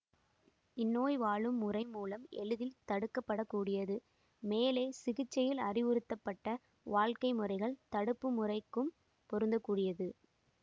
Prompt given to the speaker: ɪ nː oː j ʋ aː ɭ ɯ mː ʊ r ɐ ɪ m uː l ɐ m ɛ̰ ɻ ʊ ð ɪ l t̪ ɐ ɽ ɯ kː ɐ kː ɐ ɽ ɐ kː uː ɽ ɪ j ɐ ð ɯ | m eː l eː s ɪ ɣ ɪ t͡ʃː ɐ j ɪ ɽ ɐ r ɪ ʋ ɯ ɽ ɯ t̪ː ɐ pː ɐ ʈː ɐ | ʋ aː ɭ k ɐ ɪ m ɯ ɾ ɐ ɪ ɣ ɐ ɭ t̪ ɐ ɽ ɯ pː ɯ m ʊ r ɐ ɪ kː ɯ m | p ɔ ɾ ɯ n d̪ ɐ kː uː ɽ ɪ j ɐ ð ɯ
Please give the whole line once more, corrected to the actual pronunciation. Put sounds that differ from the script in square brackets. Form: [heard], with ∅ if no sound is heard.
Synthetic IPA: ɪ nː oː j ʋ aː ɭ ɯ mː ʊ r ɐ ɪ m uː l ɐ m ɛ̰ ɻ [ɯ] ð ɪ l t̪ ɐ ɽ ɯ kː ɐ [pː] ɐ ɽ ɐ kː uː ɽ ɪ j ɐ ð ɯ | m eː l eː s ɪ ɣ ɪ t͡ʃː ɐ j ɪ [l] ɐ r ɪ ʋ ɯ [ɾ] ɯ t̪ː ɐ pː ɐ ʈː ɐ | ʋ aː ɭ k ɐ ɪ m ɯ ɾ ɐ ɪ ɣ ɐ ɭ t̪ ɐ ɽ ɯ pː ɯ m ʊ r ɐ ɪ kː ɯ m | p ɔ ɾ ɯ n d̪ ɐ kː uː ɽ ɪ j ɐ ð ɯ